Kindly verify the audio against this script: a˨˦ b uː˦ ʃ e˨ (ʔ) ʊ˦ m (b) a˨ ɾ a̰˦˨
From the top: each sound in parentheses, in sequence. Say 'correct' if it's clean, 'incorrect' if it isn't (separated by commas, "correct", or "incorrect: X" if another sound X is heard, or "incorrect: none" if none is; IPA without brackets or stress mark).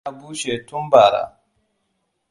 incorrect: t, correct